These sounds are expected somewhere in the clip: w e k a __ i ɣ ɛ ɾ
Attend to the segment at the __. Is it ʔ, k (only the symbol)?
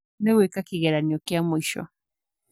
k